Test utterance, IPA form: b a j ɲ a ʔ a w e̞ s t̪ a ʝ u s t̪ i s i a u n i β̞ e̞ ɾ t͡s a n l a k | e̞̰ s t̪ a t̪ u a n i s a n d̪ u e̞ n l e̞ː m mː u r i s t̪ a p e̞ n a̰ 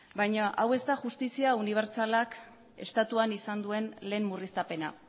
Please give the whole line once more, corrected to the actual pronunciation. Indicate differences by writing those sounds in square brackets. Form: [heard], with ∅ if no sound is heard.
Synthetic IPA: b a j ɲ a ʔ a w e̞ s t̪ a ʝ u s t̪ i s i a u n i β̞ e̞ ɾ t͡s a [∅] l a k | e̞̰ s t̪ a t̪ u a n i s a n d̪ u e̞ n l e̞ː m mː u r i s t̪ a p e̞ n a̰